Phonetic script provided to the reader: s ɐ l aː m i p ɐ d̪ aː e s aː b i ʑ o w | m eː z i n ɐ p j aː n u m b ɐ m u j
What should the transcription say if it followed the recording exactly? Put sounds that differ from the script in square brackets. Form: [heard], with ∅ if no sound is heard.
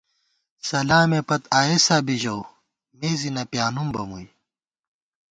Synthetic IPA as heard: s ɐ l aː m [e] p ɐ [t̪] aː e s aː b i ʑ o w | m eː z i n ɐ p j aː n u m b ɐ m u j

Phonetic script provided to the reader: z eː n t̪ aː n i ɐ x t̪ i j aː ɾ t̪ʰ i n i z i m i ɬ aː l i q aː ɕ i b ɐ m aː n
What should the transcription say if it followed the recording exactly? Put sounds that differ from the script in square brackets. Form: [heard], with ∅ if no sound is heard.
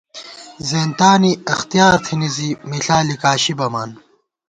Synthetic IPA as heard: z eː n t̪ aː n i ɐ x t̪ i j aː ɾ t̪ʰ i n i z i m i ɬ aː l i [k] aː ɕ i b ɐ m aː n

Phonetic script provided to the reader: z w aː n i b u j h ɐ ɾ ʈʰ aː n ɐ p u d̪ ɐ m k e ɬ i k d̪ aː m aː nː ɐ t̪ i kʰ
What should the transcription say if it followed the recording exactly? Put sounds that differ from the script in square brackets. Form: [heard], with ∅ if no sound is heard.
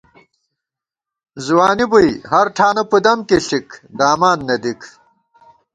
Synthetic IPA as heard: z w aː n i b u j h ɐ ɾ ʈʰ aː n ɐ p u d̪ ɐ m k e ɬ i k d̪ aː m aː nː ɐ [d̪] i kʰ

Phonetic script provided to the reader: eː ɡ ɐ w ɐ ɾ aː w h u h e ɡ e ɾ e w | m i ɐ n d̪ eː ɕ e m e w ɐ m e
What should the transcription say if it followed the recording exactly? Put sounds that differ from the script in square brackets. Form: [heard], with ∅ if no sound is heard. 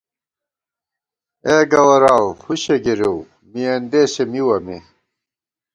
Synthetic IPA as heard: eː ɡ ɐ w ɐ ɾ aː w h u [ɕ] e ɡ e ɾ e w | m i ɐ n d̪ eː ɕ e m [i] w ɐ m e

